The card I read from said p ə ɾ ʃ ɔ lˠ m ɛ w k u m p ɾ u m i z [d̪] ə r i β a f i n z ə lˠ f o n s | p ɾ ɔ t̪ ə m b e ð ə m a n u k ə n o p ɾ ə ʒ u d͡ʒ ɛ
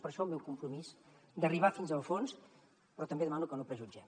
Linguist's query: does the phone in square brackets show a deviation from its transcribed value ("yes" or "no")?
no